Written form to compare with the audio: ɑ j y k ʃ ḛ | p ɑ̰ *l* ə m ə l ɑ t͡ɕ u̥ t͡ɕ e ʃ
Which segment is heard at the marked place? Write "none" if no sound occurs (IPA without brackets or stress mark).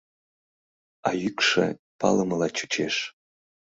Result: l